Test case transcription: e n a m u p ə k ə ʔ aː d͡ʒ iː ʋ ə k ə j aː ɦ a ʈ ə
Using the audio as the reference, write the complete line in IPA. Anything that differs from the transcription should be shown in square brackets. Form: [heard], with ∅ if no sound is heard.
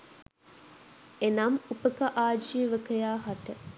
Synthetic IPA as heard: e n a m u p ə k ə ʔ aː d͡ʒ iː ʋ ə k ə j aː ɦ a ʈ ə